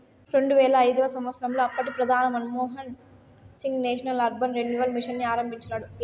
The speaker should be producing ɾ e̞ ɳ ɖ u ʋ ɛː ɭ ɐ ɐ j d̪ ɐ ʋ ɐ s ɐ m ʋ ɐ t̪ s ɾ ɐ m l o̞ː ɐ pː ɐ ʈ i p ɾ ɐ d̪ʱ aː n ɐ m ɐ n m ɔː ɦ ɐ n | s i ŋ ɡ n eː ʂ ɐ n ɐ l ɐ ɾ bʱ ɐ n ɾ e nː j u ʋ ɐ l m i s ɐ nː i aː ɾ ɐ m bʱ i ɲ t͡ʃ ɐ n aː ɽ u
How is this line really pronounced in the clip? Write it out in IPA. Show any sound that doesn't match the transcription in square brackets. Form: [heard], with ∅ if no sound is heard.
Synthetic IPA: ɾ e̞ ɳ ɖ u ʋ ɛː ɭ ɐ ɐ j d̪ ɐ ʋ ɐ s ɐ m ʋ ɐ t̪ s ɾ ɐ m l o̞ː ɐ pː ɐ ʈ i p ɾ ɐ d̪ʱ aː n ɐ m ɐ n m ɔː ɦ ɐ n | s i ŋ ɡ n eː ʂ ɐ n ɐ l ɐ ɾ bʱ ɐ n ɾ e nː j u ʋ ɐ l m i [ʂ] ɐ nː i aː ɾ ɐ m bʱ i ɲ t͡ʃ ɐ n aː ɽ u